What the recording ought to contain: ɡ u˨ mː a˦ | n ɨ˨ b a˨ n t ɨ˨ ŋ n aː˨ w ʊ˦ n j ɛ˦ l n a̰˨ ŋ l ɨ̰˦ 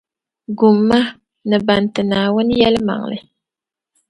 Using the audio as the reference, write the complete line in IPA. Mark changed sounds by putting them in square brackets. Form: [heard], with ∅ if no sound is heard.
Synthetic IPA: ɡ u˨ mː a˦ | n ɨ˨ b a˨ n t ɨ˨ [∅] n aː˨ w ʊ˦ n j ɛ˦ l [m] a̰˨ ŋ l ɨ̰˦